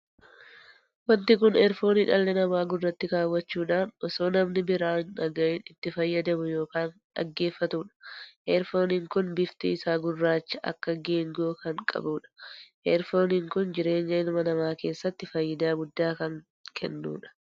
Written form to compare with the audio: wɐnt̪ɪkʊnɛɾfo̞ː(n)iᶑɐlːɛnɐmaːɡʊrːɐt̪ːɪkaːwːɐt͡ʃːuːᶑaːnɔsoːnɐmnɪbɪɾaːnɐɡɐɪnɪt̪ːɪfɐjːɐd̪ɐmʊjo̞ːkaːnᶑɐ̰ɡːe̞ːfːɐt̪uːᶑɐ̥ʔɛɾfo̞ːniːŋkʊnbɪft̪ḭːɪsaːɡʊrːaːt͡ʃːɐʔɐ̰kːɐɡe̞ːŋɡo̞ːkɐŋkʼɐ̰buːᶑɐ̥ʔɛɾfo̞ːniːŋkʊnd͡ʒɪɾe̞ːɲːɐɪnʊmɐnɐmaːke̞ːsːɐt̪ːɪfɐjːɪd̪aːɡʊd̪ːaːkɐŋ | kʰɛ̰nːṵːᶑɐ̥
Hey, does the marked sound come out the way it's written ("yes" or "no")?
yes